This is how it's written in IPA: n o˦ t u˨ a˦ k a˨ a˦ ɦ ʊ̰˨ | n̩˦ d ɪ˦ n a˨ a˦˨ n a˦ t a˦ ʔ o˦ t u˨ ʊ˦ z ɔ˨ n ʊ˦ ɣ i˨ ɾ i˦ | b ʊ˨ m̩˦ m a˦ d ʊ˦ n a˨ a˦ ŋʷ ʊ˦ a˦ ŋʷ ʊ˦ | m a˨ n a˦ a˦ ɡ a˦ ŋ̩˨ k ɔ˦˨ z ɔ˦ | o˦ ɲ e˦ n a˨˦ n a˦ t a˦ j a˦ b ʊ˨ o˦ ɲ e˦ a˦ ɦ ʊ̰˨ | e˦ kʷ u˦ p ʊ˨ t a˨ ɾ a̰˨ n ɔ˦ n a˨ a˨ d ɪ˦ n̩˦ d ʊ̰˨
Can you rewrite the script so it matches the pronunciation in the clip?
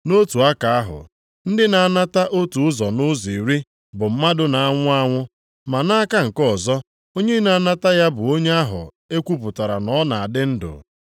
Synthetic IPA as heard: n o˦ t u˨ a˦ k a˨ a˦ ɦ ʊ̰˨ | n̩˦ d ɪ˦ n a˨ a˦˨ n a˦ t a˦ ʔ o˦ t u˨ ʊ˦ z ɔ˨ n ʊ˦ z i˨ ɾ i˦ | b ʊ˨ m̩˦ m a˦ d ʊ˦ n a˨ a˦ ŋʷ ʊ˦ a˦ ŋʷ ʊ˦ | m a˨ n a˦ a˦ k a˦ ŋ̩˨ k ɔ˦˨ z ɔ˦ | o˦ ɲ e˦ n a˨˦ n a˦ t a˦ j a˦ b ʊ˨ o˦ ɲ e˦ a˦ ɦ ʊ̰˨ | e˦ kʷ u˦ p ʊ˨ t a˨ ɾ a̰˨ n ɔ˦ n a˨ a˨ d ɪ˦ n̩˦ d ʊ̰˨